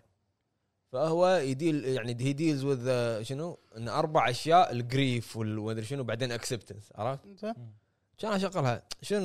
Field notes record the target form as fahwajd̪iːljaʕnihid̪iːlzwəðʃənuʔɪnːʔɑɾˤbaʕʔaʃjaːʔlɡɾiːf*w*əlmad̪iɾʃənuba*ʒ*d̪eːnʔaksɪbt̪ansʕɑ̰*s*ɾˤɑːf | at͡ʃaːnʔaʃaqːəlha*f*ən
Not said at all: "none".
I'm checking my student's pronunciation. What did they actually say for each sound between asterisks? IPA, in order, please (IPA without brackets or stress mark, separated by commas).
w, ʕ, none, ʃ